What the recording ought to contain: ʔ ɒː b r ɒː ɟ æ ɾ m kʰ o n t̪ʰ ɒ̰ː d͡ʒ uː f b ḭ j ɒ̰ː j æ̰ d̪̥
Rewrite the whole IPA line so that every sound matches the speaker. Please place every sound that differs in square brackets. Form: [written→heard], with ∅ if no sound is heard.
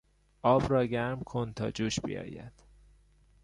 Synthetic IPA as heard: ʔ ɒː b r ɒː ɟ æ ɾ m kʰ o n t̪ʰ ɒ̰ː d͡ʒ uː [f→ʃ] b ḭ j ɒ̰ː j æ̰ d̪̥

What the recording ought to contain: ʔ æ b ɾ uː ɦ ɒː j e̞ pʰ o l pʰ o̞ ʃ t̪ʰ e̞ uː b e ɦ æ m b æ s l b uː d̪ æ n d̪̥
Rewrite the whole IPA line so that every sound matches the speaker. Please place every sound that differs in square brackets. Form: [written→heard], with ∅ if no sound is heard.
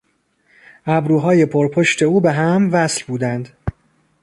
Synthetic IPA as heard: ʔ æ b ɾ uː ɦ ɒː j e̞ pʰ o [l→ɾ] pʰ o̞ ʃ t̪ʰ e̞ uː b e ɦ æ m [b→v] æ s l b uː d̪ æ n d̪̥

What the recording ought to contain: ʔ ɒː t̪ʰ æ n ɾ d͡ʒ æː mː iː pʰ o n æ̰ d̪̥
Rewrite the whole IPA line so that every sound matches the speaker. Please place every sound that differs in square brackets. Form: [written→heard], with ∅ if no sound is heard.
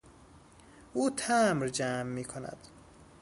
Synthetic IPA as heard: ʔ [ɒː→uː] t̪ʰ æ [n→m] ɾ d͡ʒ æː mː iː [pʰ→kʰ] o n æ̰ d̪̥

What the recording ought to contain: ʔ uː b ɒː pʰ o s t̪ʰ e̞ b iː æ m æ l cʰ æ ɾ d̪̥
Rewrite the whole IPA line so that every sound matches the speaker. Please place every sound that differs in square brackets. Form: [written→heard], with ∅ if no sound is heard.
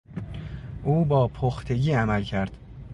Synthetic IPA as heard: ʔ uː b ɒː pʰ o [s→x] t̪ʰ e̞ [b→ɟ] iː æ m æ l cʰ æ ɾ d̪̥

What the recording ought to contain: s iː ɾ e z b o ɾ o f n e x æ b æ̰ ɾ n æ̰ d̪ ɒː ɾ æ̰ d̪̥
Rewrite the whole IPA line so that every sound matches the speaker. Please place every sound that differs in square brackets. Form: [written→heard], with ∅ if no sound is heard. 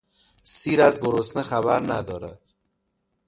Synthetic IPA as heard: s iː ɾ [e→æ] z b o ɾ o [f→s] n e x æ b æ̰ ɾ n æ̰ d̪ ɒː ɾ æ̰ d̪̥

